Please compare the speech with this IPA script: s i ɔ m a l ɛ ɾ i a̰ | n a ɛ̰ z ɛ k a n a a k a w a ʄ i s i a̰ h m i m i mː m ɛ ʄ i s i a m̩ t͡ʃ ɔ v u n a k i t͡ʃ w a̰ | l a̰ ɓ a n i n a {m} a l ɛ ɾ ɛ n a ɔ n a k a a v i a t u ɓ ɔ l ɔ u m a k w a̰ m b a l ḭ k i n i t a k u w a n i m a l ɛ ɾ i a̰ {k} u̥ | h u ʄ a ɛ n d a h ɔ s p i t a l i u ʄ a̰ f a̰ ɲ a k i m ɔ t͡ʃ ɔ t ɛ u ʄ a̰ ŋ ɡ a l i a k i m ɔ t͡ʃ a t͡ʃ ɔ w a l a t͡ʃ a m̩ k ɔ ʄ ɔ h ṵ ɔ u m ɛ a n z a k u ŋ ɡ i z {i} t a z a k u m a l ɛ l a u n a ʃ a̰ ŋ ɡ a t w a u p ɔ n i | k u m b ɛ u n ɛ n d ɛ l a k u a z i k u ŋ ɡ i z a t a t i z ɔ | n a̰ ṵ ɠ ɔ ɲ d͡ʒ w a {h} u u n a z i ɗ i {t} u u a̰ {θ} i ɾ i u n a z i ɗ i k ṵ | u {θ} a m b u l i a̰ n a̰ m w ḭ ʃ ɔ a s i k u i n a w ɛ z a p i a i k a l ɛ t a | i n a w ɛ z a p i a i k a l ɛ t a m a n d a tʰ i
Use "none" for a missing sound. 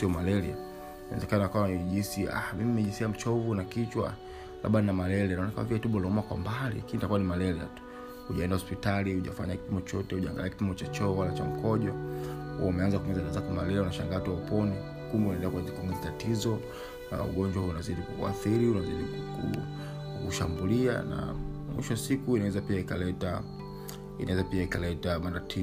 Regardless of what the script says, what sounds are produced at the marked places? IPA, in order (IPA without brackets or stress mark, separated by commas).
m, t, a, h, k, θ, ʃ